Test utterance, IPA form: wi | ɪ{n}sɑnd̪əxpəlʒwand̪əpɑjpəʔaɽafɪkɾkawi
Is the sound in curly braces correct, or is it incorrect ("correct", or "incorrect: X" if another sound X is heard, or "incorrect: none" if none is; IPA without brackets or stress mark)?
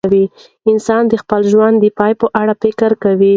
correct